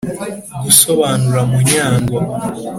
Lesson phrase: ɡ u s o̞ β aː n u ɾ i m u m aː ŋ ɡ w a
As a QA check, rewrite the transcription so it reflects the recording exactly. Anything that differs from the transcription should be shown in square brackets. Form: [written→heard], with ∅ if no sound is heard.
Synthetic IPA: ɡ u s o̞ β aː n u ɾ [i→a] m u [m→ɲ] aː ŋ ɡ w a